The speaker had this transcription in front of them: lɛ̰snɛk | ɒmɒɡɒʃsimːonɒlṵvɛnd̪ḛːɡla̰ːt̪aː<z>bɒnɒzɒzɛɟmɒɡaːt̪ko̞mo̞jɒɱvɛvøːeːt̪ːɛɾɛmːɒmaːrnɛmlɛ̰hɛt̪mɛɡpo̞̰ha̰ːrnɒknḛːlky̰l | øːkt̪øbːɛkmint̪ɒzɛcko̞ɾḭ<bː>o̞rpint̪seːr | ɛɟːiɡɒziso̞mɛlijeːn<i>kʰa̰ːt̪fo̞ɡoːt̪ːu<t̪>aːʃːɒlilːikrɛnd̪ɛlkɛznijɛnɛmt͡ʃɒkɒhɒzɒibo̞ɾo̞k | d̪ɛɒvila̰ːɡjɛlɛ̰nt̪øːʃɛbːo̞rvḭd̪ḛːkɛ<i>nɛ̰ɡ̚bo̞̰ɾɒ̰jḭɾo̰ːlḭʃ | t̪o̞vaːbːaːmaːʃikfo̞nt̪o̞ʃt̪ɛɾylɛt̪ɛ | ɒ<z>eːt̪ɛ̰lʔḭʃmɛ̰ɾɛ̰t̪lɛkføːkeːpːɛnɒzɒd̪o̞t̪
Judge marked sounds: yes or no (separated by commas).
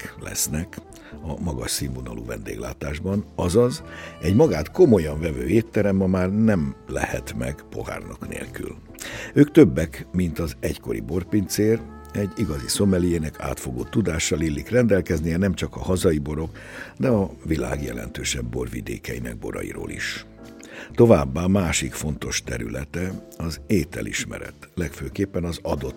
no, no, no, no, yes, yes